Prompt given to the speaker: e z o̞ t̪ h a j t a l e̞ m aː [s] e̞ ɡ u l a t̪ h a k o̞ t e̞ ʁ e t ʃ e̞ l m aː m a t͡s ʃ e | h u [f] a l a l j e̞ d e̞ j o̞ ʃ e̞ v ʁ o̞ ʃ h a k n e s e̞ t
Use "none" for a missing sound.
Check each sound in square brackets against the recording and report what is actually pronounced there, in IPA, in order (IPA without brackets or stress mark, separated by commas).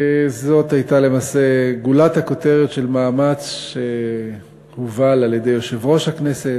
s, v